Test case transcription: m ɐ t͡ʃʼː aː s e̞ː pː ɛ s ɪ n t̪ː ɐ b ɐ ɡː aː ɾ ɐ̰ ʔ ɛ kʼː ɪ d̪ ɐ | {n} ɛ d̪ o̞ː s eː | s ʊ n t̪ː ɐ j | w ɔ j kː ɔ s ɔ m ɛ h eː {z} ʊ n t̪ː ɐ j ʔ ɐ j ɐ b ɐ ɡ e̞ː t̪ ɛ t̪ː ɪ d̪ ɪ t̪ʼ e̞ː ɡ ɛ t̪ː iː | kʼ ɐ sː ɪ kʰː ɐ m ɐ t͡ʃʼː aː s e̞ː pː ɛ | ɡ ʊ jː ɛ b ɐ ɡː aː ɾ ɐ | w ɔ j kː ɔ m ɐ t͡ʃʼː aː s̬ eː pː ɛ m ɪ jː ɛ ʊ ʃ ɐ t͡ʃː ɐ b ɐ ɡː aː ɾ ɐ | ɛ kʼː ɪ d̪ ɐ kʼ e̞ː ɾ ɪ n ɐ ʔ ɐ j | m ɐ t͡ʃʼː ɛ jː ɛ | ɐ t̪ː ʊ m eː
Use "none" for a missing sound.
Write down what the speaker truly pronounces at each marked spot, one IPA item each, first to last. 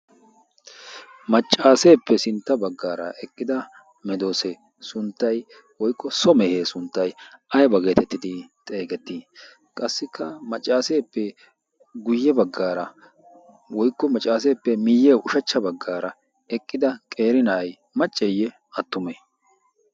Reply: m, s

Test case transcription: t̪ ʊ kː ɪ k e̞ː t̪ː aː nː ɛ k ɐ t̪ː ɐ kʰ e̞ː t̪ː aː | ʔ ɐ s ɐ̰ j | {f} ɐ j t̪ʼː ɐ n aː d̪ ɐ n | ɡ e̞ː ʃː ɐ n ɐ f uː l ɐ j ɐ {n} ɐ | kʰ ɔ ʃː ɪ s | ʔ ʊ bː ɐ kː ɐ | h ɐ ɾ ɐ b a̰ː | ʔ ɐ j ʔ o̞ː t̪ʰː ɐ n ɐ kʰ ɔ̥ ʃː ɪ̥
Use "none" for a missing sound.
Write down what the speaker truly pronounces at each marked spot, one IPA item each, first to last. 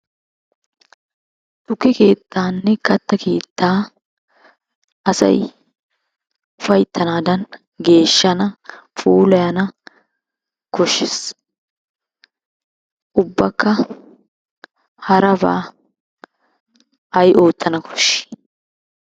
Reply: f, n

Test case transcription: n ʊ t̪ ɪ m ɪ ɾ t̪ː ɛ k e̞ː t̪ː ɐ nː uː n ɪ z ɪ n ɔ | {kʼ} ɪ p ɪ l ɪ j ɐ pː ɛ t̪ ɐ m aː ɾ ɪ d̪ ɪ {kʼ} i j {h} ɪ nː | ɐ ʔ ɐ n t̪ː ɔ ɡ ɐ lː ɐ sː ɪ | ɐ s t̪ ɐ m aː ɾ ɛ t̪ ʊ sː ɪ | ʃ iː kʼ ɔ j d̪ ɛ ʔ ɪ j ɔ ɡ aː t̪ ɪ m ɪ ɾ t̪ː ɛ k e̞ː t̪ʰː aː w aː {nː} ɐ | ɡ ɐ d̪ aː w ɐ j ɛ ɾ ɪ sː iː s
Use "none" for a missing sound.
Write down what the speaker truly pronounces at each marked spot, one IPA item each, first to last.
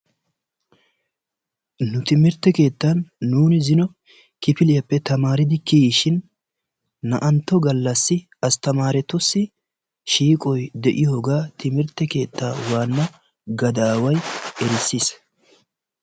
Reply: k, k, ʃ, nː

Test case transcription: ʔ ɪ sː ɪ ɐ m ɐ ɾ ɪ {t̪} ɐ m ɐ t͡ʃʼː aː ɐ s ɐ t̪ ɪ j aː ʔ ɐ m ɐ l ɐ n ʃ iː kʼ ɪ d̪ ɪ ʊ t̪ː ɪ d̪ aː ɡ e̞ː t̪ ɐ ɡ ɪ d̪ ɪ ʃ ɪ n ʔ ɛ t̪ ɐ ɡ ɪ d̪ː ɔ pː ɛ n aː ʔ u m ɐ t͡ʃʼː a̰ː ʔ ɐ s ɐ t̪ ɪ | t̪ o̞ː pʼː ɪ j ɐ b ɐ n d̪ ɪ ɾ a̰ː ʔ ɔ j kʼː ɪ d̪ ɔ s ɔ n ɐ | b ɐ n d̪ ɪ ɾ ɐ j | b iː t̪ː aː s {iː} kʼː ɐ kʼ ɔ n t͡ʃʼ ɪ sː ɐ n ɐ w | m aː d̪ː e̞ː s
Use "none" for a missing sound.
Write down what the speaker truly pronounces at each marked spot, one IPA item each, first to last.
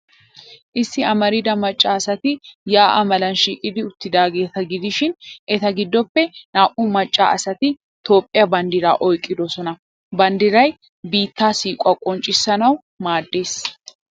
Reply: d̪, iː

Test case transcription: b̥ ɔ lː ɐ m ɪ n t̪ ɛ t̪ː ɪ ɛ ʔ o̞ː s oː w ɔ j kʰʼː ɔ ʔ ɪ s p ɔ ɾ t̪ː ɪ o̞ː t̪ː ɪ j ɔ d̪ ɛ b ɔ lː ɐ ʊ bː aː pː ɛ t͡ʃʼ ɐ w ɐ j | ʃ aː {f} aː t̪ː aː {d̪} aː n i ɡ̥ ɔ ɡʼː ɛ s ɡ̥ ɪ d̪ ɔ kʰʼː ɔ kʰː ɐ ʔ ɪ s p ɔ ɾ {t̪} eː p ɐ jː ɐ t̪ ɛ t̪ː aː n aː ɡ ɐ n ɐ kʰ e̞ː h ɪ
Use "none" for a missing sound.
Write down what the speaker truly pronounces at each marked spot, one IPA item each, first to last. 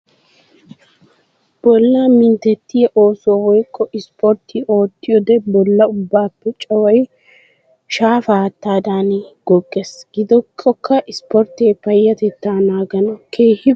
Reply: f, d̪, t̪

